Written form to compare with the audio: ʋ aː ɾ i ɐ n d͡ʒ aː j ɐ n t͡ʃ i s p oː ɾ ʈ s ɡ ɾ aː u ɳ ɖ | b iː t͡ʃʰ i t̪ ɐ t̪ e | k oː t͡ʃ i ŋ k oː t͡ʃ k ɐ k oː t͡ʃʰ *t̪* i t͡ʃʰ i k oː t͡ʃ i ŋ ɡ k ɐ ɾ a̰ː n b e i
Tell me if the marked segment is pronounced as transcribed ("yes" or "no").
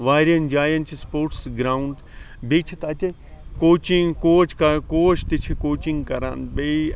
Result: yes